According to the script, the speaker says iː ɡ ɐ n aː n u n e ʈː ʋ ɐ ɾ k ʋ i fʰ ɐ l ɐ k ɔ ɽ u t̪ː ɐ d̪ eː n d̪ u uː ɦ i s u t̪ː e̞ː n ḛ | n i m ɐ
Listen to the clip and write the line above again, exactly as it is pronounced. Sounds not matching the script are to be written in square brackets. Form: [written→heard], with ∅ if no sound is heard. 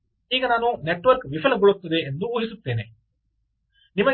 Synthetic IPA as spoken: iː ɡ ɐ n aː n u n e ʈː ʋ ɐ ɾ k ʋ i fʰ ɐ l ɐ [k→ɡ] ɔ [ɽ→ɭ] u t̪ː ɐ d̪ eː n d̪ u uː ɦ i s u t̪ː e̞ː n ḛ | n i m ɐ

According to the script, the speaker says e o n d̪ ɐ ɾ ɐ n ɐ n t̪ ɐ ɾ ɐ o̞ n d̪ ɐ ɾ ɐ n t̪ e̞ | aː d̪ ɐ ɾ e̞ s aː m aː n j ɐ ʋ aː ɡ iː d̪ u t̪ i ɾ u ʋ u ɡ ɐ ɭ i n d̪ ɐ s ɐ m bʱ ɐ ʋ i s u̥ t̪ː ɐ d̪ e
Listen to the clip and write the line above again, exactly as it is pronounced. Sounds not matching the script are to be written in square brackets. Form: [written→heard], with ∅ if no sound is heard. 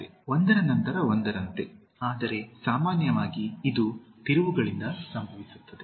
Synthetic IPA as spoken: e o n d̪ ɐ ɾ ɐ n ɐ n t̪ ɐ ɾ ɐ o̞ n d̪ ɐ ɾ ɐ n t̪ e̞ | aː d̪ ɐ ɾ e̞ s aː m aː n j ɐ ʋ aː ɡ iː d̪ u t̪ i ɾ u ʋ u ɡ ɐ ɭ i n d̪ ɐ s ɐ m bʱ ɐ ʋ i s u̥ t̪ː ɐ d̪ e

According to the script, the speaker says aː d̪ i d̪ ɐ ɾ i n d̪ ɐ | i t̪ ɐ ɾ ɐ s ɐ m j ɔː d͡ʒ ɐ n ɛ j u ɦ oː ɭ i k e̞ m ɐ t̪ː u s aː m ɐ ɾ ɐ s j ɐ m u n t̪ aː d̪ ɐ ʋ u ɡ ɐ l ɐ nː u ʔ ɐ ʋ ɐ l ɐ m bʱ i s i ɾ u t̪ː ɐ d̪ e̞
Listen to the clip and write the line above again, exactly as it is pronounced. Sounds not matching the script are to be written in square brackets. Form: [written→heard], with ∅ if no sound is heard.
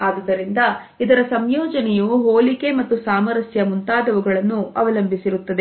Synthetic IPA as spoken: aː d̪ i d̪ ɐ ɾ i n d̪ ɐ | i [t̪→d̪] ɐ ɾ ɐ s ɐ m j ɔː d͡ʒ ɐ n ɛ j u ɦ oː [ɭ→l] i k e̞ m ɐ t̪ː u s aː m ɐ ɾ ɐ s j ɐ m u n t̪ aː d̪ ɐ ʋ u ɡ ɐ [l→ɭ] ɐ nː u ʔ ɐ ʋ ɐ l ɐ m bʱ i s i ɾ u t̪ː ɐ d̪ e̞

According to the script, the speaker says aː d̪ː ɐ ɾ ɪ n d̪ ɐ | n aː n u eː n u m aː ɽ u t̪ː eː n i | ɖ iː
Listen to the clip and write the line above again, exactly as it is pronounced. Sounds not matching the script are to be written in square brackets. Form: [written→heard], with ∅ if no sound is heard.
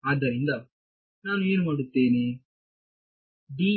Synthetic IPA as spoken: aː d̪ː ɐ ɾ [ɪ→i] n d̪ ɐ | n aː n u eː n u m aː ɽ u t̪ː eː n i | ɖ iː

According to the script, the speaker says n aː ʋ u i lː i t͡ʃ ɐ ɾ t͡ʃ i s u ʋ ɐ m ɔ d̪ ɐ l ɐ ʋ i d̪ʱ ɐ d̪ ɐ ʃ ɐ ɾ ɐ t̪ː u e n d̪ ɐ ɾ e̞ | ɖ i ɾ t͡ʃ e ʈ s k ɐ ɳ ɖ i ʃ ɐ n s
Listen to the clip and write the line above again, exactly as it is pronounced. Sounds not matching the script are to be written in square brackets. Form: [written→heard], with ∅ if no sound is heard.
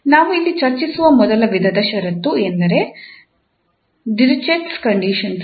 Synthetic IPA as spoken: n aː ʋ u i lː i t͡ʃ ɐ ɾ t͡ʃ i s u ʋ ɐ m ɔ d̪ ɐ l ɐ ʋ i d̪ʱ ɐ d̪ ɐ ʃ ɐ ɾ ɐ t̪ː u e n d̪ ɐ ɾ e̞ | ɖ i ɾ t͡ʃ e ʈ s k ɐ ɳ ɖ i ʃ ɐ n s

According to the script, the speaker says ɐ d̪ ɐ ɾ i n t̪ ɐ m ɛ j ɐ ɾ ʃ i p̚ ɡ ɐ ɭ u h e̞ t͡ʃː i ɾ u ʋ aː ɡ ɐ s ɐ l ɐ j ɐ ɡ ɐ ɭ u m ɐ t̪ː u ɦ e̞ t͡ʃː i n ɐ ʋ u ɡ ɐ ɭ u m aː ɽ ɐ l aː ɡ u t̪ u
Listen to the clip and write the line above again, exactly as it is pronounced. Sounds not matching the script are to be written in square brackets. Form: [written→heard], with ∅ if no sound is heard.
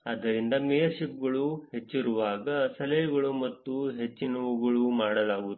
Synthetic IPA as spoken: ɐ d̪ ɐ ɾ i n [t̪→d̪] ɐ m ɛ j ɐ ɾ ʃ i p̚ ɡ ɐ ɭ u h e̞ t͡ʃː i ɾ u ʋ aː ɡ ɐ s ɐ l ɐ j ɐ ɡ ɐ ɭ u m ɐ t̪ː u ɦ e̞ t͡ʃː i n ɐ ʋ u ɡ ɐ ɭ u m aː ɽ ɐ l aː ɡ u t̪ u

